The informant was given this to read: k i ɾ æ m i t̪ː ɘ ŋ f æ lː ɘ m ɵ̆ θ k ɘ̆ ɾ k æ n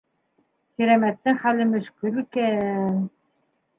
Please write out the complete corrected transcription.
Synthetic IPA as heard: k i ɾ æ m æ t̪ː ɘ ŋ χ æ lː ɘ m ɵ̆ ʃ k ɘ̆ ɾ k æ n